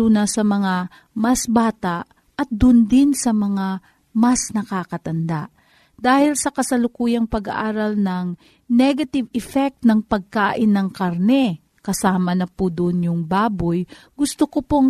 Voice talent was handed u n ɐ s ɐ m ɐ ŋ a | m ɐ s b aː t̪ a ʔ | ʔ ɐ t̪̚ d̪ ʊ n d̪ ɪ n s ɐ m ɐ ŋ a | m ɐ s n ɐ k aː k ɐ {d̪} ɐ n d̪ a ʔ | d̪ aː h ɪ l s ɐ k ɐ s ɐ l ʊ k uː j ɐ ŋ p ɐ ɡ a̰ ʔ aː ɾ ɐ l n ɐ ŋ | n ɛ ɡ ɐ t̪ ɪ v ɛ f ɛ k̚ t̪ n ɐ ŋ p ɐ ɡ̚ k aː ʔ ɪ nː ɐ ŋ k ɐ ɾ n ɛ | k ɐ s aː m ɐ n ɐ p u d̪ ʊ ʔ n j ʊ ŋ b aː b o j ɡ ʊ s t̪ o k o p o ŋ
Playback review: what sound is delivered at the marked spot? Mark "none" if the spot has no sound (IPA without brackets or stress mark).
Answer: t̪